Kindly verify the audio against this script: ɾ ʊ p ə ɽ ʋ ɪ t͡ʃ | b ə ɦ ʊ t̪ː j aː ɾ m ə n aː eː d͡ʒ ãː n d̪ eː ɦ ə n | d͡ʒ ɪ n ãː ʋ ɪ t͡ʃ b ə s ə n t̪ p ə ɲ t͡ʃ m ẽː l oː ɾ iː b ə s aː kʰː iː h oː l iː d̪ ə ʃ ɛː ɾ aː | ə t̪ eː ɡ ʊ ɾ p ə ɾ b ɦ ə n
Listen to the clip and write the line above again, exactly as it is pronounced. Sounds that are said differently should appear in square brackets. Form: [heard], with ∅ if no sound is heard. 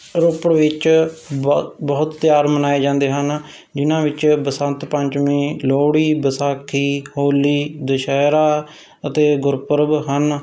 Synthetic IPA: ɾ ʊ p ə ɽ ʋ ɪ t͡ʃ | b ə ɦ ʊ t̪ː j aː ɾ m ə n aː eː d͡ʒ ãː n d̪ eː ɦ ə n | d͡ʒ ɪ n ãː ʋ ɪ t͡ʃ b ə s ə n t̪ p ə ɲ t͡ʃ m ẽː l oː [ɽ] iː b ə s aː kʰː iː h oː l iː d̪ ə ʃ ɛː ɾ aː | ə t̪ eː ɡ ʊ ɾ p ə ɾ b ɦ ə n

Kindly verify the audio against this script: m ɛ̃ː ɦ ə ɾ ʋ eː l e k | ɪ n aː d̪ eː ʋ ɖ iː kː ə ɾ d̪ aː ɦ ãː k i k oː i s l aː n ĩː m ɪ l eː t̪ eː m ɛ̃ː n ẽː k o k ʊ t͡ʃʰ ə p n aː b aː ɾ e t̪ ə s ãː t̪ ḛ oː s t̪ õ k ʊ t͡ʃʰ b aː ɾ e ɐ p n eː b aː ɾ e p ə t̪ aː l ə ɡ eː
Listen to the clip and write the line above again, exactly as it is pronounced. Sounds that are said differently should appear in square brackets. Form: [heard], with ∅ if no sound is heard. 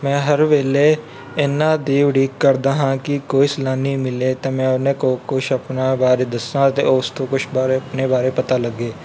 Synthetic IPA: m ɛ̃ː ɦ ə ɾ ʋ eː l e [∅] | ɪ n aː d̪ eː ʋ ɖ iː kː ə ɾ d̪ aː ɦ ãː k i k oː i s l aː n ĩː m ɪ l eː t̪ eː m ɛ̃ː n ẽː k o k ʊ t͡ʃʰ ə p n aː b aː ɾ e [d̪] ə s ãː t̪ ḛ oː s t̪ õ k ʊ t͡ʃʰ b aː ɾ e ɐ p n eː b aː ɾ e p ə t̪ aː l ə ɡ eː

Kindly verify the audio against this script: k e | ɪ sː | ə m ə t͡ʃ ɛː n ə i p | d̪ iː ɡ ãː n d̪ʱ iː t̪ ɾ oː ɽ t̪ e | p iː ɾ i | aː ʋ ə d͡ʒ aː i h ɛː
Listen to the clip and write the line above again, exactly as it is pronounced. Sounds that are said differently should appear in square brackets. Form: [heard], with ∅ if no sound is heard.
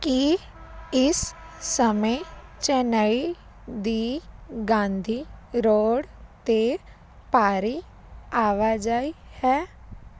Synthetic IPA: k [i] | ɪ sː | ə m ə t͡ʃ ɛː n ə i [∅] | d̪ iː ɡ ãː n d̪ʱ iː [∅] ɾ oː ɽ t̪ e | p [aː] ɾ i | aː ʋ [a] d͡ʒ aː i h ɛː

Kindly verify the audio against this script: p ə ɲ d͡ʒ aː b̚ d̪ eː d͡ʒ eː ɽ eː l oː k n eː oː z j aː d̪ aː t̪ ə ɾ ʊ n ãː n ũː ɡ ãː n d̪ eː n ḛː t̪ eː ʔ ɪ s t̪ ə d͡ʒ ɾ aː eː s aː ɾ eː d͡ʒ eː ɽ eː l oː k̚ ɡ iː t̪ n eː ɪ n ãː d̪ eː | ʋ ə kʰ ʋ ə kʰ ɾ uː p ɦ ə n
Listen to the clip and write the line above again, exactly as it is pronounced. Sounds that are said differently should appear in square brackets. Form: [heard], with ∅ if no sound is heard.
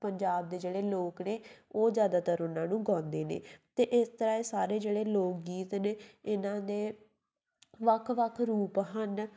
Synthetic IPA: p ə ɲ d͡ʒ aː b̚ d̪ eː d͡ʒ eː ɽ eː l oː k n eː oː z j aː d̪ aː t̪ ə ɾ ʊ n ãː n ũː ɡ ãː n d̪ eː n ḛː t̪ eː ʔ ɪ s t̪ ə [∅] ɾ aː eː s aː ɾ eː d͡ʒ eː ɽ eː l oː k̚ ɡ iː t̪ n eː ɪ n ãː d̪ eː | ʋ ə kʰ ʋ ə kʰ ɾ uː p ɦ ə n

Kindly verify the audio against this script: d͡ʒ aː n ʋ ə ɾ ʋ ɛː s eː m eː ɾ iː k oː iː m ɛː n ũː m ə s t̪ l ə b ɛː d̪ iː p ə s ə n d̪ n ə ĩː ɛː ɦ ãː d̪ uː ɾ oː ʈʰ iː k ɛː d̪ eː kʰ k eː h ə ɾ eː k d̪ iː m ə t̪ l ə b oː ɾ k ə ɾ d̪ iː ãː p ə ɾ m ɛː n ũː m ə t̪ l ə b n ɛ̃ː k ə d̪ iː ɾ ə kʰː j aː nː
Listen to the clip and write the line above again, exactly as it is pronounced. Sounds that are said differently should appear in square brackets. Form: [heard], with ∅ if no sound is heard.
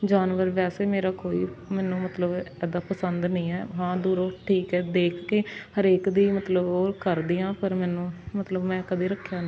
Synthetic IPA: d͡ʒ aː n ʋ ə ɾ ʋ ɛː s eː m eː ɾ [aː] k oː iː m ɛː n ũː m ə [∅] t̪ l ə b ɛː d̪ [aː] p ə s ə n d̪ n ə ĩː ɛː ɦ ãː d̪ uː ɾ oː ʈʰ iː k ɛː d̪ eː kʰ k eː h ə ɾ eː k d̪ iː m ə t̪ l ə b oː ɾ k ə ɾ d̪ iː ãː p ə ɾ m ɛː n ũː m ə t̪ l ə b [m] ɛ̃ː k ə d̪ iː ɾ ə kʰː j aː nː

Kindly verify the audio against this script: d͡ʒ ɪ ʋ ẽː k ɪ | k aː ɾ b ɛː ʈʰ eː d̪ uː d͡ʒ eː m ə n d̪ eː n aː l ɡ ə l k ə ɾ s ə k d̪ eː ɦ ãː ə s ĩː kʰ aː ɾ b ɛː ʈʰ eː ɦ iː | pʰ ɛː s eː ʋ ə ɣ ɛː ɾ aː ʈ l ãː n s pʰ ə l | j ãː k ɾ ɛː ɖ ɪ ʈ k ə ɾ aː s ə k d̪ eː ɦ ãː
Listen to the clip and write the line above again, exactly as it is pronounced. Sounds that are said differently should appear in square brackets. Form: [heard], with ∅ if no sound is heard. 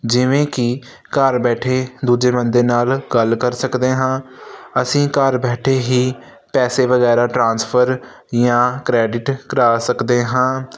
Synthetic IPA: d͡ʒ ɪ ʋ ẽː k ɪ | k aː ɾ b ɛː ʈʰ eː d̪ uː d͡ʒ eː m ə n d̪ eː n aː l ɡ ə l k ə ɾ s ə k d̪ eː ɦ ãː ə s ĩː [k] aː ɾ b ɛː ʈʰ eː ɦ iː | [p] ɛː s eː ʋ ə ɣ ɛː ɾ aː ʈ [ɾ] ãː n s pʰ ə [ɾ] | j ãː k ɾ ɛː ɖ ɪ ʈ k ə ɾ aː s ə k d̪ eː ɦ ãː

